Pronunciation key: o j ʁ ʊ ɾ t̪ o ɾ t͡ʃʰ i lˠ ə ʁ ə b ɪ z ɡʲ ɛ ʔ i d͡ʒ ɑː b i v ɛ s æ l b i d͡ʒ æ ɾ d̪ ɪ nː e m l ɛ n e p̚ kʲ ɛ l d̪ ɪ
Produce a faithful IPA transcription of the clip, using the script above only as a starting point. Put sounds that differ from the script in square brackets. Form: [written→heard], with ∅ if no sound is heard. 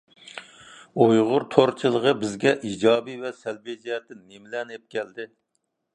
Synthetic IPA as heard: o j ʁ ʊ ɾ [t̪→t̪ʰ] o ɾ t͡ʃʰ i lˠ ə ʁ ə b ɪ z ɡʲ ɛ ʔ i d͡ʒ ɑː b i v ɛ s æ l b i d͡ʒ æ ɾ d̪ ɪ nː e m l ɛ n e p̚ kʲ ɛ l d̪ ɪ